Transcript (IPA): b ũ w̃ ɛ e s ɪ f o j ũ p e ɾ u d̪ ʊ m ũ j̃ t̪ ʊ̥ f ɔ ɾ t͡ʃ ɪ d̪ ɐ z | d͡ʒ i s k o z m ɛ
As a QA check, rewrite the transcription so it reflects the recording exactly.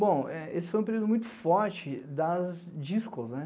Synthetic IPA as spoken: b õ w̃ ɛ e s ɪ f o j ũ p e ɾ u d̪ ʊ m ũ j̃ t̪ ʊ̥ f ɔ ɾ t͡ʃ ɪ d̪ ɐ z | d͡ʒ i s k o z n ɛ